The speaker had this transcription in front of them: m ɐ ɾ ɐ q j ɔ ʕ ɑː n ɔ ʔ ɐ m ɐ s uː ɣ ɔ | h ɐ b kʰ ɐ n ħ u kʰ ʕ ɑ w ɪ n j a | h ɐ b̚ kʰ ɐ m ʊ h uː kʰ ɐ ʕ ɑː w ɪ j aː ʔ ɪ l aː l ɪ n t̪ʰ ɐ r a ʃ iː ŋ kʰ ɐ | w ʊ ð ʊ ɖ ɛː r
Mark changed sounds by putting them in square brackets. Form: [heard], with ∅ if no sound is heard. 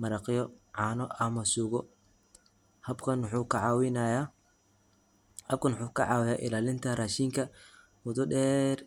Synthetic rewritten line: m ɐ ɾ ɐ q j ɔ ʕ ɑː n ɔ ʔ ɐ m ɐ s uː ɣ ɔ | h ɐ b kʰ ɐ n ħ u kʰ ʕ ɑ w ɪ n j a | h ɐ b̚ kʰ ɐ [n] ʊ [ħ] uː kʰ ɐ ʕ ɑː w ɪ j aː ʔ ɪ l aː l ɪ n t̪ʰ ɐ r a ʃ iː ŋ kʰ ɐ | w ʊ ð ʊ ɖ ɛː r